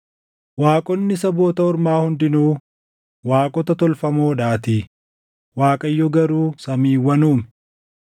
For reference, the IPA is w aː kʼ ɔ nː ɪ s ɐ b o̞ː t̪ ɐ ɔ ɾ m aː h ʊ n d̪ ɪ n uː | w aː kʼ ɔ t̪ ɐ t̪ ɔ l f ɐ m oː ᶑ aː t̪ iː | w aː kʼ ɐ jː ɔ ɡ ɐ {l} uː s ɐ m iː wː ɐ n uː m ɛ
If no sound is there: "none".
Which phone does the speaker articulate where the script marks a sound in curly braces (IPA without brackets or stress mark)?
ɾ